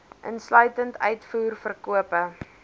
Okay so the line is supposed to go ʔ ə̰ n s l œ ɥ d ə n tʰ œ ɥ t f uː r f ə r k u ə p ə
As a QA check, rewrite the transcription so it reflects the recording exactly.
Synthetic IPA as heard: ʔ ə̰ n s l œ ɥ t ə n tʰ œ ɥ t f uː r f ə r k u ə p ə